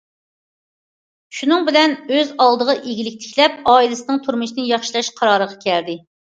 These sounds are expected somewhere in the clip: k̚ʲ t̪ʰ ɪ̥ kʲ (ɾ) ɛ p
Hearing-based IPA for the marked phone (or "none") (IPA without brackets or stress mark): l